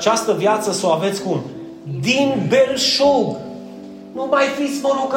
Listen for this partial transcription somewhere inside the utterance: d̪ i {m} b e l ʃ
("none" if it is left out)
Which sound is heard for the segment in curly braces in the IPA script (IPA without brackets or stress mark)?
n